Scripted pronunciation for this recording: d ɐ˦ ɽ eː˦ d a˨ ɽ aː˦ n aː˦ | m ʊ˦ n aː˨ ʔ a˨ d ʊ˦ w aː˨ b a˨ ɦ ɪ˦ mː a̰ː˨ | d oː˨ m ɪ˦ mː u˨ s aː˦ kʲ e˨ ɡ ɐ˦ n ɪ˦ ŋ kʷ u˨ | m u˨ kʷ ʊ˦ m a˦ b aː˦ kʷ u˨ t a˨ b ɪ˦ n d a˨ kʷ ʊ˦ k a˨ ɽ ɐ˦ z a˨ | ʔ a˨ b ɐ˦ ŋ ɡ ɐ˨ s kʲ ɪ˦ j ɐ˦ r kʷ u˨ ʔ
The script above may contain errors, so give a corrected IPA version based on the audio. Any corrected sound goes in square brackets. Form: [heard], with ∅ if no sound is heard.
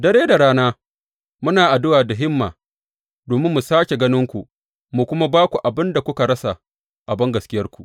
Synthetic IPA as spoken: d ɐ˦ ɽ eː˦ d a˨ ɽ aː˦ n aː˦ | m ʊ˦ n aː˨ ʔ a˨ d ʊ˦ w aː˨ [d] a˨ ɦ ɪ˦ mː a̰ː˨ | d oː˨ m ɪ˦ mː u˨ s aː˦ kʲ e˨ ɡ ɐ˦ n ɪ˦ ŋ kʷ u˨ | m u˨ kʷ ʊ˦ m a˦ b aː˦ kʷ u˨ [ʔ] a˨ b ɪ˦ n d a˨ kʷ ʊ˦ k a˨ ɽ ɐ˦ [s] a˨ | ʔ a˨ b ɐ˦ ŋ ɡ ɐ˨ s kʲ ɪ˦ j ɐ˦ r kʷ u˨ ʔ